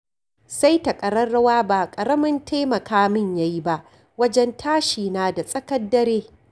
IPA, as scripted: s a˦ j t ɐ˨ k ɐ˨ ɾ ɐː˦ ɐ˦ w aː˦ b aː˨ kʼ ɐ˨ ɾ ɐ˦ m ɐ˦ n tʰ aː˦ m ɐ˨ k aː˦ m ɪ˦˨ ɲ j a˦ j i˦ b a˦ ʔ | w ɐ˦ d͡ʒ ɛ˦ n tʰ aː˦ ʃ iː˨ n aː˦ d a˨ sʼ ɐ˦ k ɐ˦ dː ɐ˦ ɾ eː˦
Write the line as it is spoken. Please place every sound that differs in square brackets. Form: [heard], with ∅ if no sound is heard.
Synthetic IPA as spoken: s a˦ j t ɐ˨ [kʼ] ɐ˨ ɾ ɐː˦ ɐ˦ w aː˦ b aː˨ kʼ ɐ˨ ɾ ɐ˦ m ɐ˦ n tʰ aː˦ m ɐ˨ k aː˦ m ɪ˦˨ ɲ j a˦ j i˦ b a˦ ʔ | w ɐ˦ d͡ʒ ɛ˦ n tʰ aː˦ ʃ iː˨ n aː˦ d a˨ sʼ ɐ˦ k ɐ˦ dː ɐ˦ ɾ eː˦

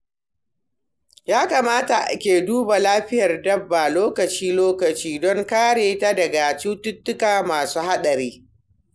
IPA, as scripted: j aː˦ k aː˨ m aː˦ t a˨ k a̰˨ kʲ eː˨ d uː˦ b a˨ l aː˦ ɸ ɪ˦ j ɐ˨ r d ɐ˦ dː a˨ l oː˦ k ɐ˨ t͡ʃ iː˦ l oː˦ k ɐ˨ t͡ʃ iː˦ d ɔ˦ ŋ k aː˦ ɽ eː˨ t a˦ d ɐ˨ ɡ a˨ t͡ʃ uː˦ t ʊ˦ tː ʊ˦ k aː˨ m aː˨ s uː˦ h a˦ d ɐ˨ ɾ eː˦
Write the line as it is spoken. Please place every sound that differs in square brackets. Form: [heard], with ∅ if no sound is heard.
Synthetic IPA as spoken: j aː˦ k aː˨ m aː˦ t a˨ [ʔ] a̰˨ kʲ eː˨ d uː˦ b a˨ l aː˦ ɸ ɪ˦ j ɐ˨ r d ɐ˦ [bː] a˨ l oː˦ k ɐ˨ t͡ʃ iː˦ l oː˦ k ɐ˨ t͡ʃ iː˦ d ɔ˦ ŋ k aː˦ ɽ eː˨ t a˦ d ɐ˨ ɡ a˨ t͡ʃ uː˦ t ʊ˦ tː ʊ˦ k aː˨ m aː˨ s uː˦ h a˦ [ɗ] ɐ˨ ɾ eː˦

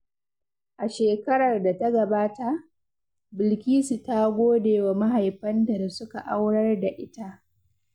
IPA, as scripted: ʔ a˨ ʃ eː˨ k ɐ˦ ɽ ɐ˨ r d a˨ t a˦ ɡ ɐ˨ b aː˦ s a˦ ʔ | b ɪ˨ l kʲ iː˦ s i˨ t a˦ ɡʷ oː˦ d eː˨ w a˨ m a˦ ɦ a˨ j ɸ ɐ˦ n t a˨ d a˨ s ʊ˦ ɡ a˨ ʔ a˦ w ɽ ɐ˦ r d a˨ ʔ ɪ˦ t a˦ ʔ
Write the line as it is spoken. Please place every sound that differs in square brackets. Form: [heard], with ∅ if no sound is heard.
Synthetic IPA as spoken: ʔ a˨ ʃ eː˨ k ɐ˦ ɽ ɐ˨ r d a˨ t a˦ ɡ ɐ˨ b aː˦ [t] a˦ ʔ | b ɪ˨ l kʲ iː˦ s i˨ t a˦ ɡʷ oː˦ d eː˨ w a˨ m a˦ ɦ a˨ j ɸ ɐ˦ n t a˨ d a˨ s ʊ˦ [k] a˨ ʔ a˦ w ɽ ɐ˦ r d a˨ ʔ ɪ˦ t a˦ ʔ

